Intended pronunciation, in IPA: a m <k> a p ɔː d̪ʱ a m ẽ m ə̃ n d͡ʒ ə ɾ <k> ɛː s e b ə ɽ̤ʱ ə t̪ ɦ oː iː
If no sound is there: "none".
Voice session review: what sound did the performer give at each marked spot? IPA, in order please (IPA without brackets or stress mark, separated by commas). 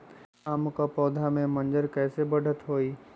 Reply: k, k